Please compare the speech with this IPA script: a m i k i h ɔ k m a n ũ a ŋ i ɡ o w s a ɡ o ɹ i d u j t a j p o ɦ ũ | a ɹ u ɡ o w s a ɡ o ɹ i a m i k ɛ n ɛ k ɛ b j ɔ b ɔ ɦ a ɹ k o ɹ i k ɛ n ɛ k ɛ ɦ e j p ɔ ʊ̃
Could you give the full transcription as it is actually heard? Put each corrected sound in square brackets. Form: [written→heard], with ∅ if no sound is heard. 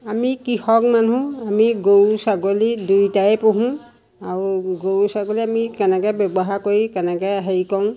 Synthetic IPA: a m i k i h ɔ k m a n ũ a [ŋ→m] i ɡ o w s a ɡ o [ɹ→l] i d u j t a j p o ɦ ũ | a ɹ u ɡ o w s a ɡ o [ɹ→l] i a m i k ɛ n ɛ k ɛ b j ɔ b ɔ ɦ a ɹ k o ɹ i k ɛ n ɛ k ɛ ɦ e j [p→k] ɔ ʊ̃